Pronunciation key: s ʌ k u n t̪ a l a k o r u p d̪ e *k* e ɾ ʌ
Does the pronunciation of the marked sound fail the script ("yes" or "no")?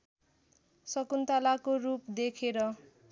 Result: yes